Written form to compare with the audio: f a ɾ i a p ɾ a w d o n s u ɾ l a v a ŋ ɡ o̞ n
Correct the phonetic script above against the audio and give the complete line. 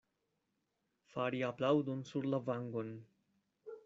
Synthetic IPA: f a ɾ i a p l a w d o n s u ɾ l a v a ŋ ɡ o̞ n